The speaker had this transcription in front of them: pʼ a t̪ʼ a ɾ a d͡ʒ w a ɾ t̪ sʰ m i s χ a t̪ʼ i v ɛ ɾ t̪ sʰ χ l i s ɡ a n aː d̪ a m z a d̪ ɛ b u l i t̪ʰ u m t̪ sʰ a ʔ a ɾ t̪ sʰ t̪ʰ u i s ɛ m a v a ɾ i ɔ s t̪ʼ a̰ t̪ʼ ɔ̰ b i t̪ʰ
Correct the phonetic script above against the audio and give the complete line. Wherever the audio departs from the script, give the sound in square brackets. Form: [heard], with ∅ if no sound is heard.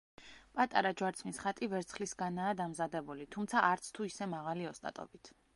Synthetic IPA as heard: pʼ a t̪ʼ a ɾ a d͡ʒ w a ɾ t̪ sʰ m i s χ a t̪ʼ i v ɛ ɾ t̪ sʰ χ l i s ɡ a n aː d̪ a m z a d̪ ɛ b u l i t̪ʰ u m t̪ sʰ a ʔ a ɾ t̪ sʰ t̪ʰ u i s ɛ m a [ʁ] a [l] i ɔ s t̪ʼ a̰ t̪ʼ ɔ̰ b i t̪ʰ